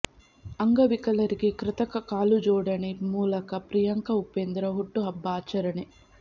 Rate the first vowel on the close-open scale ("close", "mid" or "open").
open